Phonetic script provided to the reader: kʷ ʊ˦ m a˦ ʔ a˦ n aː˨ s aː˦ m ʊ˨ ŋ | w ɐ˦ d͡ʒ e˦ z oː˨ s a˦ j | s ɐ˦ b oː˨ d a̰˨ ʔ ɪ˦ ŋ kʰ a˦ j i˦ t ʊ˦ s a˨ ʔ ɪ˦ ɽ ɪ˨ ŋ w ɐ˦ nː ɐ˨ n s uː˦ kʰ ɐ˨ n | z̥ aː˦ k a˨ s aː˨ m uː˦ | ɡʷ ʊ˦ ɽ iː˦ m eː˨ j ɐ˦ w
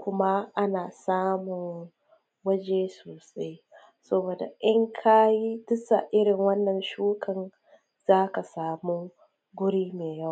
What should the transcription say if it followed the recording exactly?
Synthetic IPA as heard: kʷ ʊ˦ m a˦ ʔ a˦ n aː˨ s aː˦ m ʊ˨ ŋ | w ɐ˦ d͡ʒ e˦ s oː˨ s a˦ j | s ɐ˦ b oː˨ d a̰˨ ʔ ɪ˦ ŋ kʰ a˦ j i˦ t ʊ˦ s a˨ ʔ ɪ˦ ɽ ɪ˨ ŋ w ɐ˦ nː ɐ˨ n ʃ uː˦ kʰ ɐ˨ n | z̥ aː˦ k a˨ s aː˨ m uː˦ | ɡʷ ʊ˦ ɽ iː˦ m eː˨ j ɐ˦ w